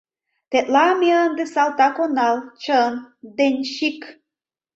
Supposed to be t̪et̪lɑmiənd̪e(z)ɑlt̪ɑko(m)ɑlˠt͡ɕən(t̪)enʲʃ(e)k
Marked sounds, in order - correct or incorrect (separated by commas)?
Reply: incorrect, incorrect, incorrect, incorrect